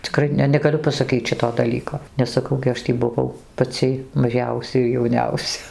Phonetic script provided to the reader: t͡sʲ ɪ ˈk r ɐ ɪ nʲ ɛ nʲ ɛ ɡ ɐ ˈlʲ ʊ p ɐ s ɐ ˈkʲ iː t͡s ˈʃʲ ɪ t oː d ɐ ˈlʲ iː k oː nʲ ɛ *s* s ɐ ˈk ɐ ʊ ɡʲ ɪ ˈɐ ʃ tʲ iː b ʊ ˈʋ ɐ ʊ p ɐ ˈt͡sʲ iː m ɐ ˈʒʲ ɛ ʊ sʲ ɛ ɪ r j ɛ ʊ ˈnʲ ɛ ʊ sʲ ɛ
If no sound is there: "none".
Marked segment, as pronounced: s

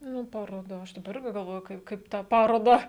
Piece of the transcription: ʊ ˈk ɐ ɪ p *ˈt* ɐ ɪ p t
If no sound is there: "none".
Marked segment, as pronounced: k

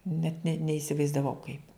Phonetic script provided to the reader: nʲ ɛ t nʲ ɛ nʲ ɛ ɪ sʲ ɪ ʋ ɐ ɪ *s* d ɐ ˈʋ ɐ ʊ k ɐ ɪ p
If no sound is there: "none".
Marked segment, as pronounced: z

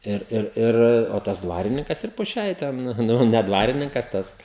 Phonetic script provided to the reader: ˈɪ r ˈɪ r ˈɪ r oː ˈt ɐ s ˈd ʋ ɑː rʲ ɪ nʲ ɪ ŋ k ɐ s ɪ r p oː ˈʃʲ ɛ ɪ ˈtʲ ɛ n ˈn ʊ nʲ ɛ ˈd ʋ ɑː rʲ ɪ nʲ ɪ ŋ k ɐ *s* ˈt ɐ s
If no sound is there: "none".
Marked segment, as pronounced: s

